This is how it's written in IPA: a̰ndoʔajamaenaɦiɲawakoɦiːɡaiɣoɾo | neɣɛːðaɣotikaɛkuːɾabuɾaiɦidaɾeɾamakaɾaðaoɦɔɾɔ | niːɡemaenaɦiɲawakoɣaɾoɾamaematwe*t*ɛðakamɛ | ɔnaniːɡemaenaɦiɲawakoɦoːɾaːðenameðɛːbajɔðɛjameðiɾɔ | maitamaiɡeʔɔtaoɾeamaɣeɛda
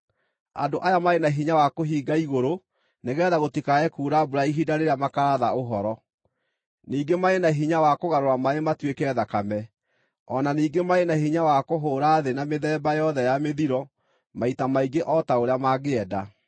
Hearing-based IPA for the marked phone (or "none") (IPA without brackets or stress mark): k